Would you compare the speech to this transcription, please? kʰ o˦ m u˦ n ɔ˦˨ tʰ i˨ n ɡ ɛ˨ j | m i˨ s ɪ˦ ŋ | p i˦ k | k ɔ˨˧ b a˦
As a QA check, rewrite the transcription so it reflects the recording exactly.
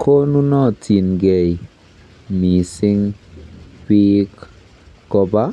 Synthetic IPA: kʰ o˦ n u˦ n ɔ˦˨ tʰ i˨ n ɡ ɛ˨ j | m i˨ s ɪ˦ ŋ | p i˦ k | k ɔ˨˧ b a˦